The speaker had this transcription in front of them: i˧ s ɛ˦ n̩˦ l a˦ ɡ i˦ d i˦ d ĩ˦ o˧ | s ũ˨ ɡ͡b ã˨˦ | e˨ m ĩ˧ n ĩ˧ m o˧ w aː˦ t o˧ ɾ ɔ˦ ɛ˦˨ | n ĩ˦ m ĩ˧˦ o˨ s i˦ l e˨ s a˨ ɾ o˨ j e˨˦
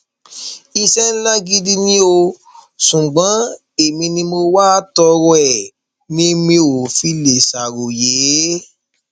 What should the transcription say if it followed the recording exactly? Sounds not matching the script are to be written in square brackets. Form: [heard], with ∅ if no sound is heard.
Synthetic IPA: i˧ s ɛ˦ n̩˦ l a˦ ɡ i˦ d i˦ [n] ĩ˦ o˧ | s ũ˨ ɡ͡b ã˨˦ | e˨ m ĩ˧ n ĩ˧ m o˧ w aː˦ t [ɔ˧] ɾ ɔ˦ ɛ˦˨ | n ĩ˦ m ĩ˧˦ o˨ [f] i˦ l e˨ s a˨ ɾ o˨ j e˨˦

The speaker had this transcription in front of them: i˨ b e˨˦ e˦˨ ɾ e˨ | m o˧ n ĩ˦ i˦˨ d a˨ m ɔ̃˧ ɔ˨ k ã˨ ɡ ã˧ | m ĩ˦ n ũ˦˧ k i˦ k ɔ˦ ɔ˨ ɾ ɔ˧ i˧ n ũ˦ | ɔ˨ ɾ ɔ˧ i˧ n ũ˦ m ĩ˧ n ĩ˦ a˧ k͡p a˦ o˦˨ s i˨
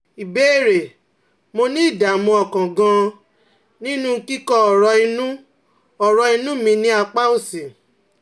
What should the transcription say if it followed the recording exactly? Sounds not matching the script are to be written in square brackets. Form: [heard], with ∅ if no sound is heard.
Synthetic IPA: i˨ b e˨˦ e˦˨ ɾ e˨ | m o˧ n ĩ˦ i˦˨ d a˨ m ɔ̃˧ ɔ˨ k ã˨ ɡ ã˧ | [n] ĩ˦ n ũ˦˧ k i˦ k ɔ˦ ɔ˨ ɾ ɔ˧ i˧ n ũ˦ | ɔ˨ ɾ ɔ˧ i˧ n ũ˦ m ĩ˧ n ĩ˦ a˧ k͡p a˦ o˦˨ s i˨

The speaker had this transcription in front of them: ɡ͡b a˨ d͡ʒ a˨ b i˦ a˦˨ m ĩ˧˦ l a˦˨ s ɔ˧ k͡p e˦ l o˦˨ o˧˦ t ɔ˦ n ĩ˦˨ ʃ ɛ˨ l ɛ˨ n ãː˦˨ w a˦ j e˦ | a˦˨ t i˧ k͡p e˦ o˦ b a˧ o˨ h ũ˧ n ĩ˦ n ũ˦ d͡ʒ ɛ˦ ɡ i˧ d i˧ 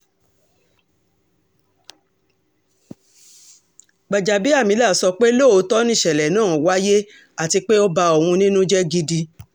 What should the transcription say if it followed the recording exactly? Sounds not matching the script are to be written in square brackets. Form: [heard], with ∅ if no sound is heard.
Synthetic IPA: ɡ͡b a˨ d͡ʒ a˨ b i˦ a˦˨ m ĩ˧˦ l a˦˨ s ɔ˧ k͡p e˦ l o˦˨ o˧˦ t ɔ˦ n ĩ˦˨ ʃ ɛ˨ l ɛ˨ n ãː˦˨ w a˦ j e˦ | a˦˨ t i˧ k͡p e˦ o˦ b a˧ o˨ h ũ˧ n ĩ˦ n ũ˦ d͡ʒ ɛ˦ ɡ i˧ d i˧

